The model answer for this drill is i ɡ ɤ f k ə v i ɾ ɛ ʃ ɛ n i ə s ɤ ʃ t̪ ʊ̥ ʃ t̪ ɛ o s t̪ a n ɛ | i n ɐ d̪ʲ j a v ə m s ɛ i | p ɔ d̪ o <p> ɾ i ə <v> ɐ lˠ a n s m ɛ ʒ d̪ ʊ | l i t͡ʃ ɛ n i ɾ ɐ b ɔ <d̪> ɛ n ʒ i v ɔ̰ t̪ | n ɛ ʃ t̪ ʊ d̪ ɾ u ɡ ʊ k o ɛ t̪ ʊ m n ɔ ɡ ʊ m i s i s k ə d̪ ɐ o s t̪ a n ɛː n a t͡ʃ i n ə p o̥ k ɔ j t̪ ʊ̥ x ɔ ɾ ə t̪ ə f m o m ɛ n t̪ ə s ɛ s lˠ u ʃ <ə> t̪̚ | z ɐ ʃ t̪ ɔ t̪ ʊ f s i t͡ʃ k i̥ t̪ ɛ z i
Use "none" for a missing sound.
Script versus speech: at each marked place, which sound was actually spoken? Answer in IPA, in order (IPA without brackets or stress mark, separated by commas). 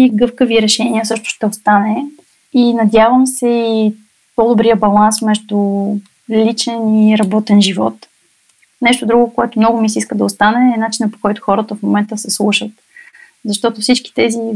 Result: b, b, t̪, ə